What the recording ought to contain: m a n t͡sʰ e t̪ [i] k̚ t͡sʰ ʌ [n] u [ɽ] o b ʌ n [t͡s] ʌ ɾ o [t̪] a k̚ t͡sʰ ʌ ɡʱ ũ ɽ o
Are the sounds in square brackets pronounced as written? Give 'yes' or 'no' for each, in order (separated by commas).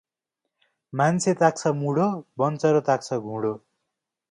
no, no, yes, yes, yes